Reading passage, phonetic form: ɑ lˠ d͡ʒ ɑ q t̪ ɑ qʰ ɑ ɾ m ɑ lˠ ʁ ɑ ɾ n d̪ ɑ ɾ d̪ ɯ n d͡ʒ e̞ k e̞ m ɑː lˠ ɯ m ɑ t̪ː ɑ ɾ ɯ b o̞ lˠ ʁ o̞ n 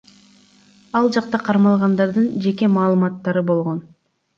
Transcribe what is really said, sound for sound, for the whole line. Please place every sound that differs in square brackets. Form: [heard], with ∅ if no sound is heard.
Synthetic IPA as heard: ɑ lˠ d͡ʒ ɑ q t̪ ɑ qʰ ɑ ɾ m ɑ lˠ ʁ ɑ [∅] n d̪ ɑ ɾ d̪ ɯ n d͡ʒ e̞ k e̞ m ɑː lˠ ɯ m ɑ t̪ː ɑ ɾ ɯ b o̞ lˠ ʁ o̞ n